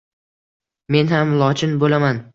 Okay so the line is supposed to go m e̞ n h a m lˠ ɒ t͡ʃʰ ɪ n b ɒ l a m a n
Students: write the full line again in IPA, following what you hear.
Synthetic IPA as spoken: m e̞ n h a m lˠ ɒ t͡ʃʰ ɪ n b o l a m a n